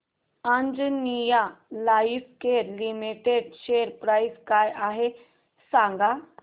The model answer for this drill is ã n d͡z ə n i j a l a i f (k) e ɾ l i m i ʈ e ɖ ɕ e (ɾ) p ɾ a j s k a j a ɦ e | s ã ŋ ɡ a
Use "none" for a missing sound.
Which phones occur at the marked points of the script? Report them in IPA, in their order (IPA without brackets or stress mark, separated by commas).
k, ɾ